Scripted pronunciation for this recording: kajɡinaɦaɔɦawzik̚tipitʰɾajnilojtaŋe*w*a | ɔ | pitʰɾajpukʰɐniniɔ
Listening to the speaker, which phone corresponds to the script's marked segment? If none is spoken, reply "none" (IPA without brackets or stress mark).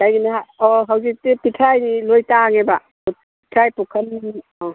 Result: b